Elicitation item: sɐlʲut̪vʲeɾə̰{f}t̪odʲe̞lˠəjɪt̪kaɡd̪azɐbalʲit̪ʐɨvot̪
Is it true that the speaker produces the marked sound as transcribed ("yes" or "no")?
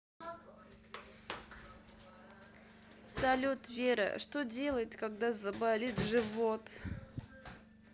no